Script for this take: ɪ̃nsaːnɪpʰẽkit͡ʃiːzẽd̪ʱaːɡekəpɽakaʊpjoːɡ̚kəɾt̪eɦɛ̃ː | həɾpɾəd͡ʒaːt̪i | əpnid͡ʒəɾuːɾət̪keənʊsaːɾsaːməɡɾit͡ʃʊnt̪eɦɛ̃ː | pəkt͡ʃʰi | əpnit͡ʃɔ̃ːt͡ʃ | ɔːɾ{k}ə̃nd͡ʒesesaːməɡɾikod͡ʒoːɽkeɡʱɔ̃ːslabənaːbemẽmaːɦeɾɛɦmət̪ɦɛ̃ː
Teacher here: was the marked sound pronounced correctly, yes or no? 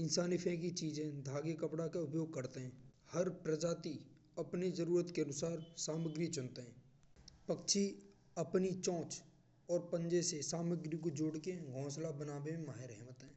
no